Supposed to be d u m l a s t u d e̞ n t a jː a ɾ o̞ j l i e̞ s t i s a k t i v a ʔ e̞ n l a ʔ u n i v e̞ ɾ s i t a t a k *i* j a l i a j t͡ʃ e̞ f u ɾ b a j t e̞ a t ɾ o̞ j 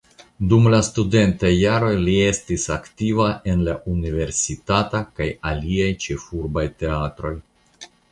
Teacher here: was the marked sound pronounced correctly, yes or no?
no